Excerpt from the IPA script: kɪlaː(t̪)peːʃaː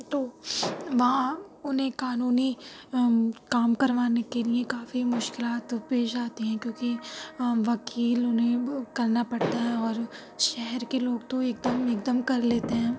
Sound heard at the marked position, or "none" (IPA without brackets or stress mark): t̪